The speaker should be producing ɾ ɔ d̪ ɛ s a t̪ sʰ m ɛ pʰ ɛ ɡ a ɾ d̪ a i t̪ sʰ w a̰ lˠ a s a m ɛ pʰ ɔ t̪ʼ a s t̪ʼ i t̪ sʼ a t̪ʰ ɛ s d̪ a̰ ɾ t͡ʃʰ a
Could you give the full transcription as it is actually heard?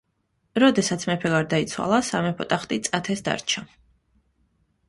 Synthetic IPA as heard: ɾ ɔ d̪ ɛ s a t̪ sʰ m ɛ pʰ ɛ ɡ a ɾ d̪ a i t̪ sʰ w a̰ lˠ a s a m ɛ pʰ ɔ t̪ʼ a χ t̪ʼ i t̪ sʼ a t̪ʰ ɛ s d̪ a̰ ɾ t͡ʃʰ a